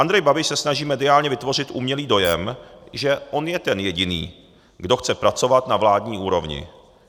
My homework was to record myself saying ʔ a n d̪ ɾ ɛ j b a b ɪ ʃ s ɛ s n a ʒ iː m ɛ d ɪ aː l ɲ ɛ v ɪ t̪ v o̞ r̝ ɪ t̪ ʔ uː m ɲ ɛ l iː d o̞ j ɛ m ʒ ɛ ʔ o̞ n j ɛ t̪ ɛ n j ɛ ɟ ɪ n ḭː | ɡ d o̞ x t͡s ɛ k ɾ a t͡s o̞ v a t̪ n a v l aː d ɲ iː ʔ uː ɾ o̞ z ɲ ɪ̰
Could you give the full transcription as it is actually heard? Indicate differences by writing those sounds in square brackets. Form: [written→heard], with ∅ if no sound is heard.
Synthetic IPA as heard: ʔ a n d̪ ɾ ɛ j b a b ɪ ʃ s ɛ s n a ʒ iː m ɛ d ɪ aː l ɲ ɛ v ɪ t̪ v o̞ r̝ ɪ t̪ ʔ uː m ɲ ɛ l iː d o̞ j ɛ m ʒ ɛ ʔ o̞ n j ɛ t̪ ɛ n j ɛ ɟ ɪ n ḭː | ɡ d o̞ x t͡s ɛ [k→p] ɾ a t͡s o̞ v a t̪ n a v l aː d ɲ iː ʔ uː ɾ o̞ [z→v] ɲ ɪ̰